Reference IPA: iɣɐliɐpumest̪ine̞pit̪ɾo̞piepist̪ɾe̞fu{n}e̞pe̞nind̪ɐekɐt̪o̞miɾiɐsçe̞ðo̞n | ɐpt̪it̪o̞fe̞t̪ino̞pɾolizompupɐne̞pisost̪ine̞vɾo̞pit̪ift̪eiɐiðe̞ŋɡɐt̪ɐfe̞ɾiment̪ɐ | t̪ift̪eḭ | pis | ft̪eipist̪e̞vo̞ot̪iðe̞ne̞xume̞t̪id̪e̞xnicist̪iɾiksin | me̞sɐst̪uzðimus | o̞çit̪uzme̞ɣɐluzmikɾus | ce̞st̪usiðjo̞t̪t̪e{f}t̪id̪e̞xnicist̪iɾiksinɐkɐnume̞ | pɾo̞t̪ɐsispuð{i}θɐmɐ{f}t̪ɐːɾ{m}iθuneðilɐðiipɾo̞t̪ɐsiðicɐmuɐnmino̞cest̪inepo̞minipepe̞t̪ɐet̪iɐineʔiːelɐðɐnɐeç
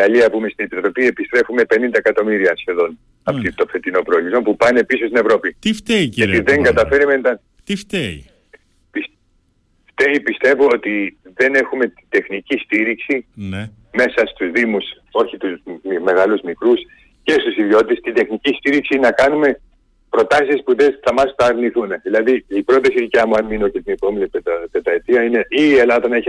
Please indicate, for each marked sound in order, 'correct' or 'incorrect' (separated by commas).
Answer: incorrect, incorrect, incorrect, incorrect, incorrect